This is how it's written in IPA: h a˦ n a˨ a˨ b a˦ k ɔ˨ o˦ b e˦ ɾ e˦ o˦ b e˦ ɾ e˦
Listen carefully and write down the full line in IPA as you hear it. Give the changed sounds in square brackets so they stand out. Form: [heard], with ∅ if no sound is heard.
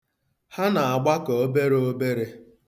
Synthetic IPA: h a˦ n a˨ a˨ [ɡ͡b] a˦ k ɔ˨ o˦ b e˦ ɾ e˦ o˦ b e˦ ɾ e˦